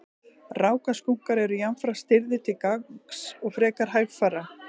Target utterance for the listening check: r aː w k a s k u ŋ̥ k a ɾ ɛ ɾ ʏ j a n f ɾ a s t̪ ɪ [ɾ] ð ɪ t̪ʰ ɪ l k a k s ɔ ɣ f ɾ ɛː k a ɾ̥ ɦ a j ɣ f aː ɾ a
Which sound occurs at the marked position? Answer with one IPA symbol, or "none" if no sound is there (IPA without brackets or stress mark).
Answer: ɾ